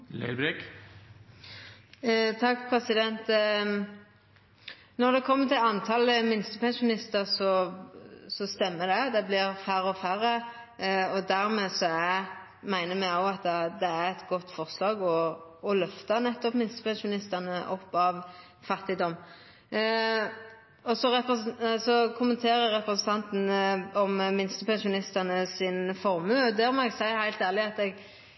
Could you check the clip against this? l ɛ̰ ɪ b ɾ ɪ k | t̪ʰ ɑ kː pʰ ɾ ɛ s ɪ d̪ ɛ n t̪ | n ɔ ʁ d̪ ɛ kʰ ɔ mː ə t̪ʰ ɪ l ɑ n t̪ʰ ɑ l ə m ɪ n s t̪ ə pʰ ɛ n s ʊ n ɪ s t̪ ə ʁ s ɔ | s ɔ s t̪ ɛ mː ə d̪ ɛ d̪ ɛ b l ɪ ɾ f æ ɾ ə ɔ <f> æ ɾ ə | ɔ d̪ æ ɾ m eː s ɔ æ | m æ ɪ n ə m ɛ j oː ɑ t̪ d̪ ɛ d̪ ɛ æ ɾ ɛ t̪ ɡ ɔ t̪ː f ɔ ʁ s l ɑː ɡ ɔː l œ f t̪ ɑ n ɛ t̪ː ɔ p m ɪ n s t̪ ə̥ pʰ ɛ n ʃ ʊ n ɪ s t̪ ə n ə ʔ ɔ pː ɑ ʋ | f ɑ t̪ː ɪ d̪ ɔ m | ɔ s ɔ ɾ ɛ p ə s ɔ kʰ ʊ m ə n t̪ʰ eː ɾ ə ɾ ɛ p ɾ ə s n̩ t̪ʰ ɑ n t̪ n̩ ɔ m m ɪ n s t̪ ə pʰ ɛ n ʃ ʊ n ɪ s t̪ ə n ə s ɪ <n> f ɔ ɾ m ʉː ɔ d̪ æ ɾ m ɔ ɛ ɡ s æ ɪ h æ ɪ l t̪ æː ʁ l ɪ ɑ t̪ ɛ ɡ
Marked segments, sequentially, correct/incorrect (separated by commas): correct, correct